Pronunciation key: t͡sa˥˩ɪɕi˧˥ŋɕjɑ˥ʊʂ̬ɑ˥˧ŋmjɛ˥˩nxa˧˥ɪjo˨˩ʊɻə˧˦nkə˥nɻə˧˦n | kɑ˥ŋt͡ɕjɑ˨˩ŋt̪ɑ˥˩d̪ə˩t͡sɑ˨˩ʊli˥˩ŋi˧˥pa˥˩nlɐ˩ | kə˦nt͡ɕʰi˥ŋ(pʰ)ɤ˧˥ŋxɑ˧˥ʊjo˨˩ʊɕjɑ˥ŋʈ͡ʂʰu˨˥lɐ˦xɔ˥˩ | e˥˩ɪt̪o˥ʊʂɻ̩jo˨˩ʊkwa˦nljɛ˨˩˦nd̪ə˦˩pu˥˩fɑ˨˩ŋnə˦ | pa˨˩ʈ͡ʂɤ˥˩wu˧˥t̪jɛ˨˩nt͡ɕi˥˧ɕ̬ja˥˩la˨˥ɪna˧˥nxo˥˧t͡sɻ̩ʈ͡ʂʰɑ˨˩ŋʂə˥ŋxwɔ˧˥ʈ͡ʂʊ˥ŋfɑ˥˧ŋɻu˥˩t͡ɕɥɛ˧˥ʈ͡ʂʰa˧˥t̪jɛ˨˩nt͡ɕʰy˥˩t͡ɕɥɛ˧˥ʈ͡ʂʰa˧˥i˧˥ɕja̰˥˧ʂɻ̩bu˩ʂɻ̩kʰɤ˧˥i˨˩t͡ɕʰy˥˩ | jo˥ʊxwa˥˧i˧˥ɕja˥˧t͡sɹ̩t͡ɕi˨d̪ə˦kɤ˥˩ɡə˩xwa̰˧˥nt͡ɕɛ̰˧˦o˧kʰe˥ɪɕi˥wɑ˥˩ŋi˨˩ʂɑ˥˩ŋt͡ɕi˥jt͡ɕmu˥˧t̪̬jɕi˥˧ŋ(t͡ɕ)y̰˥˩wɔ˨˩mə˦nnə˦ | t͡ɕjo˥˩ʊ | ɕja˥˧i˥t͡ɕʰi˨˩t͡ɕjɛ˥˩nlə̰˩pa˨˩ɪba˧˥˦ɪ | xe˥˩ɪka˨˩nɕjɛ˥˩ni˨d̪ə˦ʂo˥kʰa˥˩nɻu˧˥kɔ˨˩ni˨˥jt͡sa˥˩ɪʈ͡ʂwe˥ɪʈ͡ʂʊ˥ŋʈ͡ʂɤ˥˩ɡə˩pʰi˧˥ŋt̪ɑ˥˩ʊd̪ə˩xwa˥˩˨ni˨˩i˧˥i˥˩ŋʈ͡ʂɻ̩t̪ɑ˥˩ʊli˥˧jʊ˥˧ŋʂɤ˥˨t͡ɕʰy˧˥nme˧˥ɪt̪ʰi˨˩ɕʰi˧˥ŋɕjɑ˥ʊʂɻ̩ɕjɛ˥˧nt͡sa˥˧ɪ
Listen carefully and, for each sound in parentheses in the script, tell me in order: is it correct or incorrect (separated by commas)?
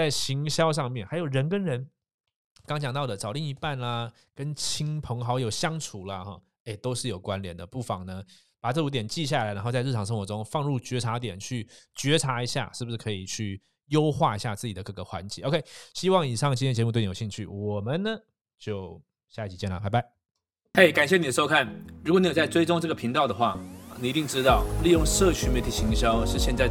correct, incorrect